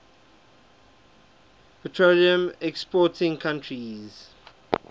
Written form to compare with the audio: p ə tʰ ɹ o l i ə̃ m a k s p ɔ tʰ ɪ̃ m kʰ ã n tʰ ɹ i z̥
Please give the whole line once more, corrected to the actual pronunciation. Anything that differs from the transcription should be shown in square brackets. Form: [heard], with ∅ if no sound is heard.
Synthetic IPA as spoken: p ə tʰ ɹ o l i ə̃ m [ɛ] k s p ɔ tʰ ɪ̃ [ŋ] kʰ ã n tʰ ɹ i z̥